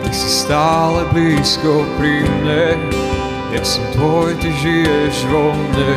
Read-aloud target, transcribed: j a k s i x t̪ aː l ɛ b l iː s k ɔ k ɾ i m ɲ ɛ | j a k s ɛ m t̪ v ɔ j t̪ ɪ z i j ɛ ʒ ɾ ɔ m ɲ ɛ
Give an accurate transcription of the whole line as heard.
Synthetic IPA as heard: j a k s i s t̪ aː l ɛ b l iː s k ɔ p ɾ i m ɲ ɛ | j a k s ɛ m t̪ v ɔ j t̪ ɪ ʒ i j ɛ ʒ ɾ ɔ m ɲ ɛ